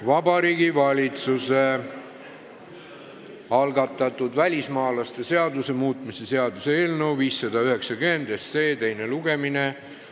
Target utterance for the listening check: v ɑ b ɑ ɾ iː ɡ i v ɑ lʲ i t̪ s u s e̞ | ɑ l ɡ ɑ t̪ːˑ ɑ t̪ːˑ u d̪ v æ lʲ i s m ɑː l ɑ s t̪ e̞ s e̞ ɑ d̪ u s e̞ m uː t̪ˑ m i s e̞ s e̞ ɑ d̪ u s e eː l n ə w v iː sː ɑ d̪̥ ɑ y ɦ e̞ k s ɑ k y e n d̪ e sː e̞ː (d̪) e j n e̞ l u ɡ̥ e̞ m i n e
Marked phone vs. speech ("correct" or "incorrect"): incorrect